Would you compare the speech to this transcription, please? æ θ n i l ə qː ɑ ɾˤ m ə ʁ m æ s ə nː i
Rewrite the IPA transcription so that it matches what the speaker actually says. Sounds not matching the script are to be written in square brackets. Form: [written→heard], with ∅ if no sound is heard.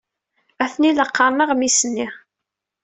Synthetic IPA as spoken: æ θ n i l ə qː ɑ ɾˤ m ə ʁ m [æ→i] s ə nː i